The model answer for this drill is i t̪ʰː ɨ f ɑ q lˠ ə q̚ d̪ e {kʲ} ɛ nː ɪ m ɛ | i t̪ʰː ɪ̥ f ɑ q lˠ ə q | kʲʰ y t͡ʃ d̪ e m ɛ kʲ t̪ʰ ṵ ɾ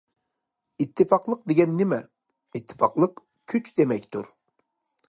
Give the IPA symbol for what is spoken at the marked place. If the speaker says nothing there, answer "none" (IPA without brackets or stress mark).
ɡʲ